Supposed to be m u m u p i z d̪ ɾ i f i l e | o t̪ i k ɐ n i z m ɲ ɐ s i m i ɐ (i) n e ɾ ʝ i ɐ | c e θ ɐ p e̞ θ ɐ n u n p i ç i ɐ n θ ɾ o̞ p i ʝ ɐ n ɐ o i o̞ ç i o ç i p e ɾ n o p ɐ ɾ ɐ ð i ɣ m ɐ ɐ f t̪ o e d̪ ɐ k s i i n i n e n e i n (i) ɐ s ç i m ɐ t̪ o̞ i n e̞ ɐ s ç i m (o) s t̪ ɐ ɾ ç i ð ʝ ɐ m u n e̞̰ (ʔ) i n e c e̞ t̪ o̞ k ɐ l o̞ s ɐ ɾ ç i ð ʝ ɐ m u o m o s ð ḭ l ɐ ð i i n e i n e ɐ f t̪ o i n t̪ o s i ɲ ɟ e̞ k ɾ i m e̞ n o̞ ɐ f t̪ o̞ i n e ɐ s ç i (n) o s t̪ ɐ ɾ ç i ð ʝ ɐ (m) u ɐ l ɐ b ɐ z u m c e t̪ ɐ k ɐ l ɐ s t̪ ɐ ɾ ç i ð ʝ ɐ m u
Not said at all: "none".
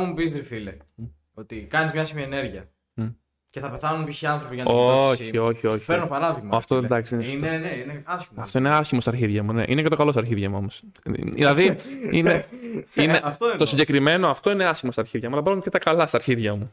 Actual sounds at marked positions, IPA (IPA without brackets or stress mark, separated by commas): e, e, o, ʔ, m, m